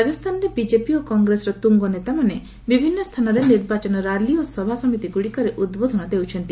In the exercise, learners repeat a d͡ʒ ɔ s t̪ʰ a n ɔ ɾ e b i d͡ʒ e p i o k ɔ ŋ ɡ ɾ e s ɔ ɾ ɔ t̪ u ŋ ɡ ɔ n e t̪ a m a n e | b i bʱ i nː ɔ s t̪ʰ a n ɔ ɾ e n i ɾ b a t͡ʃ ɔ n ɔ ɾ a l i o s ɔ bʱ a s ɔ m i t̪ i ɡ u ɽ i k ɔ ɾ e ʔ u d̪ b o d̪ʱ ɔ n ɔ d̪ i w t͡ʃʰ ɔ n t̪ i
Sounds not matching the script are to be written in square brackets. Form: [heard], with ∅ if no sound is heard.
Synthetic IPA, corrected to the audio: a d͡ʒ ɔ s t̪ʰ a n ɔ ɾ e b i d͡ʒ e p i o k ɔ ŋ ɡ ɾ e s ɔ ɾ ɔ t̪ u ŋ ɡ ɔ n e t̪ a m a n e | b i bʱ i nː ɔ s t̪ʰ a n ɔ ɾ e n i ɾ b a t͡ʃ ɔ n ɔ ɾ a l i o s ɔ bʱ a s ɔ m i t̪ i ɡ u ɽ i k ɔ ɾ e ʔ u d̪ b o d̪ʱ ɔ n ɔ d̪ [e] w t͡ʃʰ ɔ n t̪ i

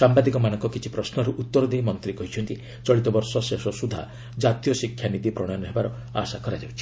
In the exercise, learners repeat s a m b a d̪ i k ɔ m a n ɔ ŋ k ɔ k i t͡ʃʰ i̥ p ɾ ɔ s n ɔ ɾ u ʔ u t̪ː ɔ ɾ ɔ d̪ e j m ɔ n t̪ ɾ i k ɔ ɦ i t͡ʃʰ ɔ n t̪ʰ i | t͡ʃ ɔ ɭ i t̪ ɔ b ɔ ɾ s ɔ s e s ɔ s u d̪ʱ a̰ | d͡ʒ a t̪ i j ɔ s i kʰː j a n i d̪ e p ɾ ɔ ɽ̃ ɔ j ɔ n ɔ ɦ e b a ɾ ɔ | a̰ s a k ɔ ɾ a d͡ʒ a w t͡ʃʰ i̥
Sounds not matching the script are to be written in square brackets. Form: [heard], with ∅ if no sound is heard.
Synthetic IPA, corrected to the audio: s a m b a d̪ i k ɔ m a n ɔ ŋ k ɔ k i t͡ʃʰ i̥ p ɾ ɔ s n ɔ ɾ u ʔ u t̪ː ɔ ɾ ɔ d̪ e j m ɔ n t̪ ɾ i k ɔ ɦ i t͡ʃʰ ɔ n [t̪] i | t͡ʃ ɔ ɭ i t̪ ɔ b ɔ ɾ s ɔ s e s ɔ s u d̪ʱ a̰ | d͡ʒ a t̪ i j ɔ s i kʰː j a n i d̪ [i] p ɾ ɔ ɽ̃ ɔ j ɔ n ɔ ɦ e b a ɾ ɔ | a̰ s a k ɔ ɾ a d͡ʒ a w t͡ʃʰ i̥

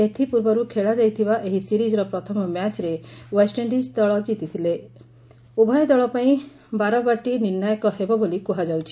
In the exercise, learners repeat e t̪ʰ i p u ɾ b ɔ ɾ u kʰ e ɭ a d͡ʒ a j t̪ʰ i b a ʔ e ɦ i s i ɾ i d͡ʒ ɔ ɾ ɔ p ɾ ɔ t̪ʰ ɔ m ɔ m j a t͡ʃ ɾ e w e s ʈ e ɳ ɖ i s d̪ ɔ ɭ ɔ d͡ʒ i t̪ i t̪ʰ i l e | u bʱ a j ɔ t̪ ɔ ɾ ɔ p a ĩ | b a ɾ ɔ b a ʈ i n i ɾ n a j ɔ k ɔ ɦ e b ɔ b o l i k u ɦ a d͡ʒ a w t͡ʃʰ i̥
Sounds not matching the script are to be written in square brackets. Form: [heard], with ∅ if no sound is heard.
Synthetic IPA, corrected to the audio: e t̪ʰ i p u ɾ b ɔ ɾ u kʰ e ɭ a d͡ʒ a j t̪ʰ i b a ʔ e ɦ i s i ɾ i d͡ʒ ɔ ɾ ɔ p ɾ ɔ t̪ʰ ɔ m ɔ m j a t͡ʃ ɾ e w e s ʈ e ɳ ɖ i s d̪ ɔ ɭ ɔ d͡ʒ i t̪ i t̪ʰ i l e | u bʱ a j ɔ [d̪] ɔ [ɭ] ɔ p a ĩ | b a ɾ ɔ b a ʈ i n i ɾ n a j ɔ k ɔ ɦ e b ɔ b o l i k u ɦ a d͡ʒ a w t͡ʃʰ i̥

